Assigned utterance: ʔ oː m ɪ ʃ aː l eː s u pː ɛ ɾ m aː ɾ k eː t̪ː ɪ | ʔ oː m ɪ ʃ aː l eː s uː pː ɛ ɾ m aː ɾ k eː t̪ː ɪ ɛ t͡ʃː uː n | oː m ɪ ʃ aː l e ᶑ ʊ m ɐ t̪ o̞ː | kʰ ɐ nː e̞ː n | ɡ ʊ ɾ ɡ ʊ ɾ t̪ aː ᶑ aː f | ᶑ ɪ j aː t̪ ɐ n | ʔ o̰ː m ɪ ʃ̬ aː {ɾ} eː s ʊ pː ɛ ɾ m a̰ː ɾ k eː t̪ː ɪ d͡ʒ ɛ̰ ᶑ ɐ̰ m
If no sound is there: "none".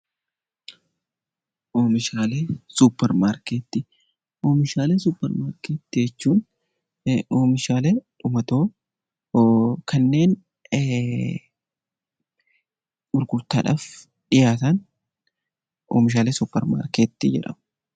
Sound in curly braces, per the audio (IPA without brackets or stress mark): l